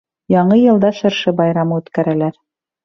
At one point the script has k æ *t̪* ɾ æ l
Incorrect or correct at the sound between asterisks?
incorrect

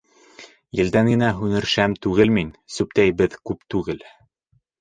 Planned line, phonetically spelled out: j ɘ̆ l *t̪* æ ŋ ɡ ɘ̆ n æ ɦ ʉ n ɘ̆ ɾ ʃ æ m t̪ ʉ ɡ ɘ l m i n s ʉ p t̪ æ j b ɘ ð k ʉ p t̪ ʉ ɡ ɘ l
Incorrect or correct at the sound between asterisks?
incorrect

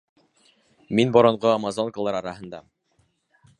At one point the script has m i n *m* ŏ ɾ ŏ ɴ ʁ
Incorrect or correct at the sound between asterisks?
incorrect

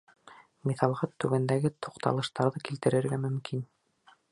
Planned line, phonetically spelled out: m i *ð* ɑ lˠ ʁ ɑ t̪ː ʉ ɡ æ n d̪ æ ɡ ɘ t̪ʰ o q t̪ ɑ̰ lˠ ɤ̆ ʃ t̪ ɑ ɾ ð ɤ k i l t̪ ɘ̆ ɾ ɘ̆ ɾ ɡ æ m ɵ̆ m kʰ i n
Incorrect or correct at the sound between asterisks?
incorrect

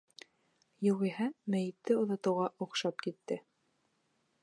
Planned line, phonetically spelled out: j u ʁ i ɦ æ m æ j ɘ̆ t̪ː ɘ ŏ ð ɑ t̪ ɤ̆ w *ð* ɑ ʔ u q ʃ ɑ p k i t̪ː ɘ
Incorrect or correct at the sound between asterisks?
incorrect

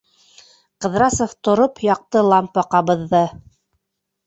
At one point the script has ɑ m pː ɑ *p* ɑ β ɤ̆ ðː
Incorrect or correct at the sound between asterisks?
incorrect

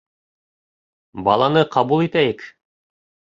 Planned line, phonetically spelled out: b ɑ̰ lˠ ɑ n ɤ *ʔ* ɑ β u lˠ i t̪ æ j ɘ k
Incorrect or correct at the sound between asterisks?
incorrect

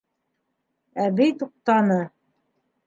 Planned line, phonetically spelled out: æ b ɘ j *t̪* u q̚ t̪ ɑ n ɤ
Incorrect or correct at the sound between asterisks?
correct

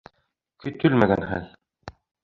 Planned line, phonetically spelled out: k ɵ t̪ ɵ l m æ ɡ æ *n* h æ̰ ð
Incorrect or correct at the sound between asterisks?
correct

